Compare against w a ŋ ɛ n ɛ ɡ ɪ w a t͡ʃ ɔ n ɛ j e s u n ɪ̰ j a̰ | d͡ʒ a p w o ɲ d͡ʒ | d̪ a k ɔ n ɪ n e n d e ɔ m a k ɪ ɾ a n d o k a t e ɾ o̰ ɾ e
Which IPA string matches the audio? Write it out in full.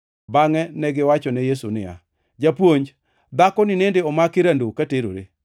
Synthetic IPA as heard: b a ŋ ɛ n ɛ ɡ ɪ w a t͡ʃ ɔ n ɛ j e s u n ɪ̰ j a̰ | d͡ʒ a p w o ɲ d͡ʒ | d̪ a k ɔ n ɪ n e n d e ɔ m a k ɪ ɾ a n d o k a t e ɾ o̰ ɾ e